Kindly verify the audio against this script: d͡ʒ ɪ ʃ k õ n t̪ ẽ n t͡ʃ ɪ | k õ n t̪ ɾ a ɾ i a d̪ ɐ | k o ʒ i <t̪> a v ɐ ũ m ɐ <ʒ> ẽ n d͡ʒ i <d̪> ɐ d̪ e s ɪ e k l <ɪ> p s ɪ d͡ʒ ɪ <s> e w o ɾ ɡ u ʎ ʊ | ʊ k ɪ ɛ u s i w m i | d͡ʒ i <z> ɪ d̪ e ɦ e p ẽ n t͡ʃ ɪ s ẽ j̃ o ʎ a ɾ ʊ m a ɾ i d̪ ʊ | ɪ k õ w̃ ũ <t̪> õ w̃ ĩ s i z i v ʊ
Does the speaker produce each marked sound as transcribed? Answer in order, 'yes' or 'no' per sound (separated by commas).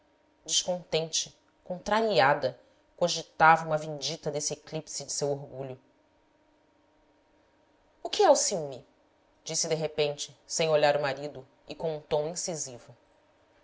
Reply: yes, no, no, no, yes, no, yes